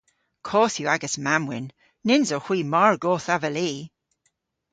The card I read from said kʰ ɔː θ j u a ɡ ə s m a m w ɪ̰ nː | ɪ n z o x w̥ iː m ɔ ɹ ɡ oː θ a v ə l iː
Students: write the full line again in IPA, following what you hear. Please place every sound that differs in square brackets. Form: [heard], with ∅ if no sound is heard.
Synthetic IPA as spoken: kʰ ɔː θ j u a ɡ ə s m a m w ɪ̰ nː | ɪ n z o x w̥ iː m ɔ ɹ ɡ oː θ a v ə l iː